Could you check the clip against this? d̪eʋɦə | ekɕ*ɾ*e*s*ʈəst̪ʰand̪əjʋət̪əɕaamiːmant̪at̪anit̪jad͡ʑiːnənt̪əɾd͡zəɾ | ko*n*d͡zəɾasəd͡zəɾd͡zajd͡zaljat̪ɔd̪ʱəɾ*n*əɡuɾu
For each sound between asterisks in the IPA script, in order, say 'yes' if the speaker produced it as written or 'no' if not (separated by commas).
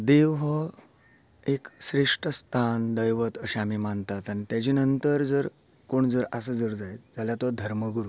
yes, no, no, no